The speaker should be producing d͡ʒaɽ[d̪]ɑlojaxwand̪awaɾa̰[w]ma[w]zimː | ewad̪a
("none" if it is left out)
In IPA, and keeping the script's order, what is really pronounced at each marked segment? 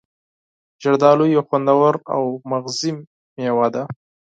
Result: d̪, w, ɣ

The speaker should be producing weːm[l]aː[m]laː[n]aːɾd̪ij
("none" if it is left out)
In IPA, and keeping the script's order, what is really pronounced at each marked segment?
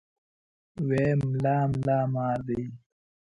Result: l, m, m

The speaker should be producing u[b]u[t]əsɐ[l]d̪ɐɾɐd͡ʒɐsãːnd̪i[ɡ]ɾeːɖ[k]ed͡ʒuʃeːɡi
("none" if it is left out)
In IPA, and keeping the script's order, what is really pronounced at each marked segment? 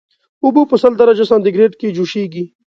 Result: b, p, l, ɡ, k

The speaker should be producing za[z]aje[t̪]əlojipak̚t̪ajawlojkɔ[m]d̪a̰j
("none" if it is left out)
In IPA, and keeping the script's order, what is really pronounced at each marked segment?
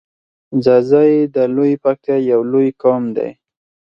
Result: z, d̪, m

